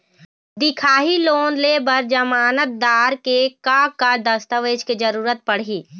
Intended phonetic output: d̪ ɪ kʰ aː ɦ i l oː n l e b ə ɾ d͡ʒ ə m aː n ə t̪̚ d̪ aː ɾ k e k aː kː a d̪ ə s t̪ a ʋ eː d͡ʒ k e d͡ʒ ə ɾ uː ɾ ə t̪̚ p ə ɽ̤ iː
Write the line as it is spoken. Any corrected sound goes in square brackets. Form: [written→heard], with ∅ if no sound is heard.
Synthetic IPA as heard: d̪ ɪ kʰ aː ɦ i l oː n l e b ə ɾ d͡ʒ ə m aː n ə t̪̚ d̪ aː ɾ k e k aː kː a d̪ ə s t̪ [a→ə] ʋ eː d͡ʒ k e d͡ʒ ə ɾ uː ɾ ə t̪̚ p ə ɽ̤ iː